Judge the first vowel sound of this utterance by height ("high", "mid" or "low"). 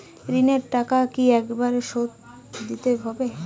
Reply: high